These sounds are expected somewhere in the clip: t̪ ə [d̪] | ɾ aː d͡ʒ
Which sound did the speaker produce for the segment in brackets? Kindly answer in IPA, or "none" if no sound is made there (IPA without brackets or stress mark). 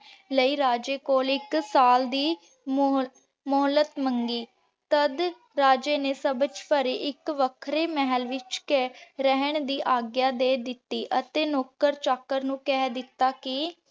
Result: d̪